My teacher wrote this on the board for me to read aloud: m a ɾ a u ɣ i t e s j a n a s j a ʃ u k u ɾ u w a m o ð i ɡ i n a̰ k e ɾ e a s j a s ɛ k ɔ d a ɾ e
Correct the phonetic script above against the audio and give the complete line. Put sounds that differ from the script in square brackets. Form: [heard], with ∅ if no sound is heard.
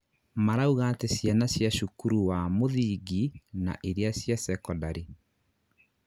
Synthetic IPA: m a ɾ a u ɣ [a] t e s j a n a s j a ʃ u k u ɾ u w a m o ð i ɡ i n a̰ [ʔ] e ɾ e a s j a s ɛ k ɔ d a ɾ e